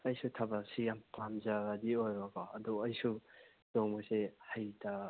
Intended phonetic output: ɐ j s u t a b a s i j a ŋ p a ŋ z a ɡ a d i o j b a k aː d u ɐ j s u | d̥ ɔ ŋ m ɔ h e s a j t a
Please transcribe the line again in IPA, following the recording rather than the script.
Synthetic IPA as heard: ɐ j s u tʰ a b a s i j a m p a m z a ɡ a d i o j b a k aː d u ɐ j s u | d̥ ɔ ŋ m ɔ s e h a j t a